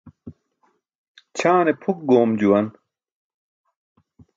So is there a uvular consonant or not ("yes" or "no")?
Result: no